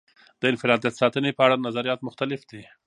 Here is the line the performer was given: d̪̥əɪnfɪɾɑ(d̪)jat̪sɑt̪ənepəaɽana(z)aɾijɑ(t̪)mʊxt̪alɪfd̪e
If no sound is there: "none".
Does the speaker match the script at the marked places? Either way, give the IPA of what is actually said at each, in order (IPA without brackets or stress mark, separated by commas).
d̪, z, t̪